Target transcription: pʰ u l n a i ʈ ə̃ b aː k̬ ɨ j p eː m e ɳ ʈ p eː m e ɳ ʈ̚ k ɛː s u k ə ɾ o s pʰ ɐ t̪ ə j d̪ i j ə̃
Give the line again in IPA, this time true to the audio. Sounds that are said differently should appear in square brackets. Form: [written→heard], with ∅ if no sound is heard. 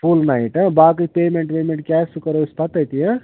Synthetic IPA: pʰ u l n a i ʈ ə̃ b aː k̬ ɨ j p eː m e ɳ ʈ p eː m e ɳ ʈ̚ k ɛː s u k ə ɾ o s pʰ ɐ t̪ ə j [d̪→t̪] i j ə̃